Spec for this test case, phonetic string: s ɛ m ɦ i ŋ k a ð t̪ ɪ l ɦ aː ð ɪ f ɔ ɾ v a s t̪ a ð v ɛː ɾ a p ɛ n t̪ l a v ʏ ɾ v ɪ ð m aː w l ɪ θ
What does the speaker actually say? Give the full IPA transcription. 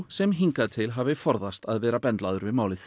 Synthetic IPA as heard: s ɛ m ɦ i ŋ k a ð t̪ʰ ɪ l ɦ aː v ɪ f ɔ ɾ ð a s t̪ a ð v ɛː ɾ a p ɛ n t̪ l a ð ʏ ɾ v ɪ ð m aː w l ɪ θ